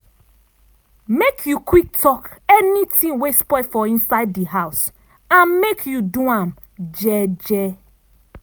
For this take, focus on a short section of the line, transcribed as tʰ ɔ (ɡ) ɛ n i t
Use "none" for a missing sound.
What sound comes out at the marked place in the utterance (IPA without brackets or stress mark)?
k